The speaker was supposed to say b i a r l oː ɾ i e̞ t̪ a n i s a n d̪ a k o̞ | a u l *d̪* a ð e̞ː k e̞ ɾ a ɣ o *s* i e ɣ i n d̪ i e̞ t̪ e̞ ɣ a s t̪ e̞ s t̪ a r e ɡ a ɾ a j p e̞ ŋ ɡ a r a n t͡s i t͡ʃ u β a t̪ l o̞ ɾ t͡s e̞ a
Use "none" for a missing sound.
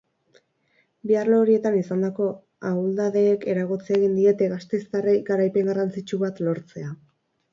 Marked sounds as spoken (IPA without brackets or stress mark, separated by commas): d̪, t͡s